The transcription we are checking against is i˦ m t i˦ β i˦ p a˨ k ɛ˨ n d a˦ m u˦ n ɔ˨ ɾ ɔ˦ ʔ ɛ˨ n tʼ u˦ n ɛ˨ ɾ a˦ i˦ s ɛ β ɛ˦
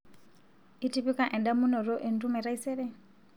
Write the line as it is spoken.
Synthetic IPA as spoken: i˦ t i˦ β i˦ k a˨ ʔ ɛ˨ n d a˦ m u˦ n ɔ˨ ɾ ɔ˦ ʔ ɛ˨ n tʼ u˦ m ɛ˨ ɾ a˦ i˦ s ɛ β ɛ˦